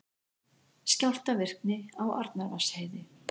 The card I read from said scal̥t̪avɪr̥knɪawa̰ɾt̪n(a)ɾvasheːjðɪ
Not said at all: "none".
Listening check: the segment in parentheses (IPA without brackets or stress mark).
a